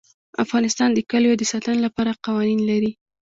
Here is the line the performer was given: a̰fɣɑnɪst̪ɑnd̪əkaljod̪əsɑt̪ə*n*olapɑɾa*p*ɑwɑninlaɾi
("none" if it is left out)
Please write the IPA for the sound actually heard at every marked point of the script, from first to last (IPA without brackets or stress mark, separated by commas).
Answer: n, q